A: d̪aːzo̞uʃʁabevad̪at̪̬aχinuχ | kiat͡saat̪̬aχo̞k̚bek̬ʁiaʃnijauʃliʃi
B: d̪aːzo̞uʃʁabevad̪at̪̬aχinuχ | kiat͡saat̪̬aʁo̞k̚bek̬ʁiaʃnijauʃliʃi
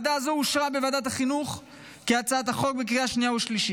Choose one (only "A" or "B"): A